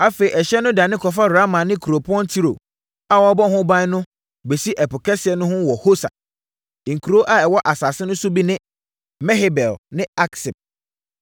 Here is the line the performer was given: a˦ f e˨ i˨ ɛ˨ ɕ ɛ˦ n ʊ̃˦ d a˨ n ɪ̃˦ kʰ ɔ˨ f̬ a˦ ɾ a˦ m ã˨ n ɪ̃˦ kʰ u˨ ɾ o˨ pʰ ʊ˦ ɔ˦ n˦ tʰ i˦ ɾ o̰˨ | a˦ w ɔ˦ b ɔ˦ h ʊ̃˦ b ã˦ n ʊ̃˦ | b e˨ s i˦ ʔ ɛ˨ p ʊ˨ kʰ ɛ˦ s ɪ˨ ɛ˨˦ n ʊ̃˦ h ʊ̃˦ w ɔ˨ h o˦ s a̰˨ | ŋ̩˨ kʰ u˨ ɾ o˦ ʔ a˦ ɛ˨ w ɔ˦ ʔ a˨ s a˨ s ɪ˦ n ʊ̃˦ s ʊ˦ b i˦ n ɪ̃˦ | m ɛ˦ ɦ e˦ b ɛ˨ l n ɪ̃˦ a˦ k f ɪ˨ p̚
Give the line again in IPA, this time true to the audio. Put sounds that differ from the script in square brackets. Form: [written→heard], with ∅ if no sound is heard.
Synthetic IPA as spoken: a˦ f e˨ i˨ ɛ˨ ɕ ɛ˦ n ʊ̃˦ d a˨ n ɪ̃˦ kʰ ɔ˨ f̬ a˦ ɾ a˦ m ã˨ n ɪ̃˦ kʰ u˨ ɾ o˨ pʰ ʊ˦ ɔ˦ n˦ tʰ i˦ ɾ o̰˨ | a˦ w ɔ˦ b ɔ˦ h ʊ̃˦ b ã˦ n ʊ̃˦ | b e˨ s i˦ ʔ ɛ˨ p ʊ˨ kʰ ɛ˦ s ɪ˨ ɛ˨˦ n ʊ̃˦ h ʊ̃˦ w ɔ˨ h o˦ s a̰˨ | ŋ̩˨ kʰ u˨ ɾ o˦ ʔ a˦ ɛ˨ w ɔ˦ ʔ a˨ s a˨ s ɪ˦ n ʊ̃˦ s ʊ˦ b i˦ n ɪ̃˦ | m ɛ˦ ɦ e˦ b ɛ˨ l n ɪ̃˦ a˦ k [f→s] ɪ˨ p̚